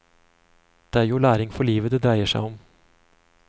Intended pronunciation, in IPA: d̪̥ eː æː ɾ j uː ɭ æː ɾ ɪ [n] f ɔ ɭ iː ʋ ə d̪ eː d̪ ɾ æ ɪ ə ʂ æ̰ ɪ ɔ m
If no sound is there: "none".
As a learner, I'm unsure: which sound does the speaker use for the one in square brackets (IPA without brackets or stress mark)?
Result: ŋ